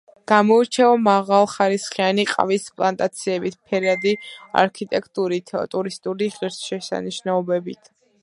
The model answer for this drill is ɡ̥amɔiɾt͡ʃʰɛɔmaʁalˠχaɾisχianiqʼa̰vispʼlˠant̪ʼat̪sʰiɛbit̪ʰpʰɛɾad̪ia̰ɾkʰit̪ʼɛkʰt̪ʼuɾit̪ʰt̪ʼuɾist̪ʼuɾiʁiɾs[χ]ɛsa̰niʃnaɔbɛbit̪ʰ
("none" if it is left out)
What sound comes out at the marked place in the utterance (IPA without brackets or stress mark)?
ʃ